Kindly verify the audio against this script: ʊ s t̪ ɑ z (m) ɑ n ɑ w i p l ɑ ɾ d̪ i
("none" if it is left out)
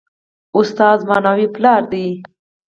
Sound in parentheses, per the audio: m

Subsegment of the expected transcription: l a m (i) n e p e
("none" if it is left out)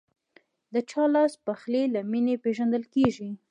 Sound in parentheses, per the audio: i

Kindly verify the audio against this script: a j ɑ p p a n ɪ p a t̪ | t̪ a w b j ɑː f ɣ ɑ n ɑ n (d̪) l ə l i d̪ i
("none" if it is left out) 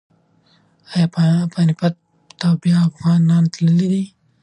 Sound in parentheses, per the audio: t̪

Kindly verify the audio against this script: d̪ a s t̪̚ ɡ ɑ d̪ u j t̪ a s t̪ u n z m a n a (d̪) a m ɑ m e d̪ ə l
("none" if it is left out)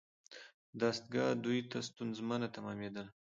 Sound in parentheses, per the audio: t̪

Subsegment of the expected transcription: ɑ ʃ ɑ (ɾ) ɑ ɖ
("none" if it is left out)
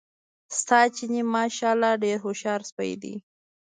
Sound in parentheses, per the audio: l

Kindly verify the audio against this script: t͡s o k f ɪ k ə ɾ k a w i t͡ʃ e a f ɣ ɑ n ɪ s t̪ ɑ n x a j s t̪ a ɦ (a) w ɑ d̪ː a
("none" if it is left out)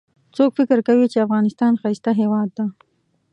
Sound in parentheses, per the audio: e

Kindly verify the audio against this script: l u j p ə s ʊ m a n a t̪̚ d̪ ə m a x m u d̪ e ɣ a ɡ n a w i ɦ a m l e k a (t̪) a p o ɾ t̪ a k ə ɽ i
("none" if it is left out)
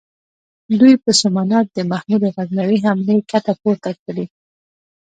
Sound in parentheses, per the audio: t̪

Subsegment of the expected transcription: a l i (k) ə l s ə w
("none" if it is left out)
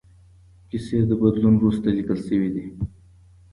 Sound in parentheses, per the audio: k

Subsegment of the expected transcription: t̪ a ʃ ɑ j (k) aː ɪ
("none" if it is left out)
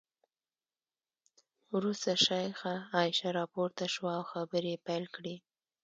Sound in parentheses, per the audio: x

